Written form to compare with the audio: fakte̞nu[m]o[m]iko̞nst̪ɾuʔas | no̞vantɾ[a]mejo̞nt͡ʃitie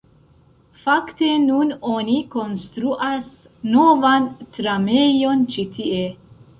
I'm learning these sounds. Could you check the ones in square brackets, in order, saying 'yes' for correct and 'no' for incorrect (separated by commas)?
no, no, yes